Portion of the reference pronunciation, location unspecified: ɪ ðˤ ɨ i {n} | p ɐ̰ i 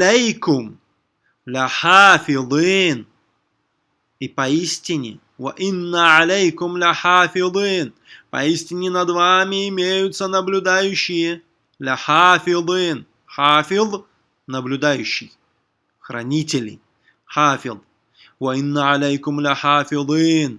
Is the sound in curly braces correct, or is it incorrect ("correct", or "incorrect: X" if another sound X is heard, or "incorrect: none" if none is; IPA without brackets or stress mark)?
correct